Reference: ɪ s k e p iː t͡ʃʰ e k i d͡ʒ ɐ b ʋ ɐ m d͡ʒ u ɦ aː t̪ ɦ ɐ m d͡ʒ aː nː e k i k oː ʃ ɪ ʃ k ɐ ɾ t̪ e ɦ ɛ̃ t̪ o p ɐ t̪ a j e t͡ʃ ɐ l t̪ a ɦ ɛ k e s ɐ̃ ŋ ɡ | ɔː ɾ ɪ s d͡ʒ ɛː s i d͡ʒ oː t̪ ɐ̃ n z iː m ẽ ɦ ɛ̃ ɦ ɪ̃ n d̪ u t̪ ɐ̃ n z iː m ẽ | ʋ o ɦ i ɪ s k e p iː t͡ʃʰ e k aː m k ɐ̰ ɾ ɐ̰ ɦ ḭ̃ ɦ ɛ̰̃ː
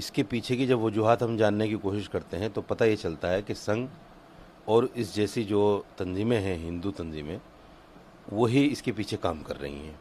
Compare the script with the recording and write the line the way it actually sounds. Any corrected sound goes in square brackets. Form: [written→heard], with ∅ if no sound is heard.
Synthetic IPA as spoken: ɪ s k e p iː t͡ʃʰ e k i d͡ʒ ɐ b ʋ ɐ [m→∅] d͡ʒ u ɦ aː t̪ ɦ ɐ m d͡ʒ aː nː e k i k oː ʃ ɪ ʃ k ɐ ɾ t̪ e ɦ ɛ̃ t̪ o p ɐ t̪ a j e t͡ʃ ɐ l t̪ a ɦ ɛ k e s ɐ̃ ŋ ɡ | ɔː ɾ ɪ s d͡ʒ ɛː s i d͡ʒ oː t̪ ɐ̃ n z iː m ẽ ɦ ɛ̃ ɦ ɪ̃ n d̪ u t̪ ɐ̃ n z iː m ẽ | ʋ o ɦ i ɪ s k e p iː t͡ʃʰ e k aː m k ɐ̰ [ɾ→ɾː] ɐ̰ ɦ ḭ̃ ɦ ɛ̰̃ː